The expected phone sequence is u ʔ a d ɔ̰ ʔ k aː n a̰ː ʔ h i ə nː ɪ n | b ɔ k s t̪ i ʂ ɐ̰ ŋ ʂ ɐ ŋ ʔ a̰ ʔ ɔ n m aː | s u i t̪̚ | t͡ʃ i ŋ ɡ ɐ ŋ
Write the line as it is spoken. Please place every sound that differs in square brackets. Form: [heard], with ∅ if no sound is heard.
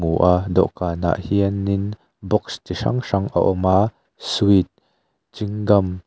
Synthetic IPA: u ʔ a d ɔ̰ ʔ k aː n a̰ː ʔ h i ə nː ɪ n | b ɔ k s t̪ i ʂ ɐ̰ ŋ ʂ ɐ ŋ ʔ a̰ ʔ ɔ [∅] m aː | s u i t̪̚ | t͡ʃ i ŋ ɡ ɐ [m]